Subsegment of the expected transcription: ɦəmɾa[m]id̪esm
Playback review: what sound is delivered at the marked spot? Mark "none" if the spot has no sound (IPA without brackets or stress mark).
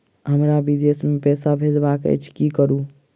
b